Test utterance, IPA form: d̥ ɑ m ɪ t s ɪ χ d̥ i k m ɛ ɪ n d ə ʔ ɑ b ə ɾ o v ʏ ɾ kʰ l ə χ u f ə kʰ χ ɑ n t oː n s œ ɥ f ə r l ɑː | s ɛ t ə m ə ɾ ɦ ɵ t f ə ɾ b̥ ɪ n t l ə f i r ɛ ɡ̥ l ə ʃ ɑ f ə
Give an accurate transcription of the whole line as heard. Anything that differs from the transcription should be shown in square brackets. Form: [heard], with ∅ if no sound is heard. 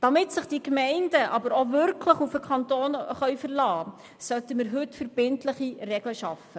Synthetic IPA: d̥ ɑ m ɪ t s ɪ χ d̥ i k m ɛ ɪ n d ə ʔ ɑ b ə ɾ o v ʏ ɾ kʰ l ə χ u f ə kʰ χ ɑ n t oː n [χ] œ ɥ f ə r l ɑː | s [œ] t ə m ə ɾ ɦ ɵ t f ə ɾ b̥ ɪ n t l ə [χ] i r ɛ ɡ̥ l ə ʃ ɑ f ə

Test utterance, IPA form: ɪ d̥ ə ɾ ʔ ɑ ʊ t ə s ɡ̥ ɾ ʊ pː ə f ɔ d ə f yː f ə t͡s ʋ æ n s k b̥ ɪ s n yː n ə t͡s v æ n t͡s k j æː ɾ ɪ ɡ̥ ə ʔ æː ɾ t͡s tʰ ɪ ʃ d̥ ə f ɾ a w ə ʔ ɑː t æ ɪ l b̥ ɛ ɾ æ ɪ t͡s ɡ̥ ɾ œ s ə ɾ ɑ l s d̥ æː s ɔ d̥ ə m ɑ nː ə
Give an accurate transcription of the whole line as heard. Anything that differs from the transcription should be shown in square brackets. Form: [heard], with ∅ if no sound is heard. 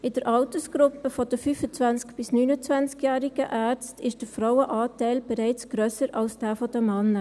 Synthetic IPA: ɪ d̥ ə ɾ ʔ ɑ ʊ t ə s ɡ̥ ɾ ʊ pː ə f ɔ d ə f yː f ə t͡s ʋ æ n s k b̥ ɪ s n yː n ə t͡s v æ n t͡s k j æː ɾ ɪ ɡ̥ ə ʔ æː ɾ t͡s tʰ ɪ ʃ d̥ ə f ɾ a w ə ʔ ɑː t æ ɪ l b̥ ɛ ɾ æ ɪ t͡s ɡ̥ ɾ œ s ə ɾ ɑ l s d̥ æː [f] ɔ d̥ ə m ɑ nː ə

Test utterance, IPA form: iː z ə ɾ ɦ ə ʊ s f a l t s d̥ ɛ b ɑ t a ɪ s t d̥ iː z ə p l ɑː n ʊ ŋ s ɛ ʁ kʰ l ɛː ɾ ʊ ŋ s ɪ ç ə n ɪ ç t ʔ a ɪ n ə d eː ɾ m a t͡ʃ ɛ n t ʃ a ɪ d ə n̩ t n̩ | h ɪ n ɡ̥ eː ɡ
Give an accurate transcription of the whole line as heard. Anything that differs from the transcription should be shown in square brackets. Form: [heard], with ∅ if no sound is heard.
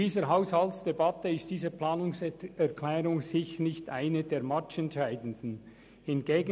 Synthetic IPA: iː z ə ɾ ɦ [a] ʊ s [h] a l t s d̥ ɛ b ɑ t [ə] ɪ s t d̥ iː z ə p l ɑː n ʊ ŋ s ɛ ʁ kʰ l ɛː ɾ ʊ ŋ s ɪ ç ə n ɪ ç t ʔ a ɪ n ə d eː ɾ m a t͡ʃ ɛ n t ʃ a ɪ d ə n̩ [d] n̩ | h ɪ n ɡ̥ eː ɡ

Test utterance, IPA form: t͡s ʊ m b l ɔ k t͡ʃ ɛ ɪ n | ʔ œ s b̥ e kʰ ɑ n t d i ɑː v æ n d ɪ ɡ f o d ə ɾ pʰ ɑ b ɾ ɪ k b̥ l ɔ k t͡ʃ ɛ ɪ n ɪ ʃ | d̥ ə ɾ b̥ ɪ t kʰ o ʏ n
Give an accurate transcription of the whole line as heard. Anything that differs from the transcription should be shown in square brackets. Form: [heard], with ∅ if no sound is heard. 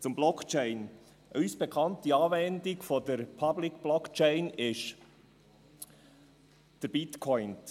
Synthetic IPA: t͡s ʊ m b l ɔ k t͡ʃ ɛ ɪ n | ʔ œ s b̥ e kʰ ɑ n t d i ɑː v [ɛ] n d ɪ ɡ f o d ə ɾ pʰ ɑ b [l] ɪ k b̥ l ɔ k t͡ʃ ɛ ɪ n ɪ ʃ | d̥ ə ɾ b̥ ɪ t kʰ [ɔ] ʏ n

